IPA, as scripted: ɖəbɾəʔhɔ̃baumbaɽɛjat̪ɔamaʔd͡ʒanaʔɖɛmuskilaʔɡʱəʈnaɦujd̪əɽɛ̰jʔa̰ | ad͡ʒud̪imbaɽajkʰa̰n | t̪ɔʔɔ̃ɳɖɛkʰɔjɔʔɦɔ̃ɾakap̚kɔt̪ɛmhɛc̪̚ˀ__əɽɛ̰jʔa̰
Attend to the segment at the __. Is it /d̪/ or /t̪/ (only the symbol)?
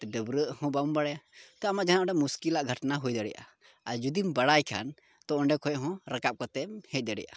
d̪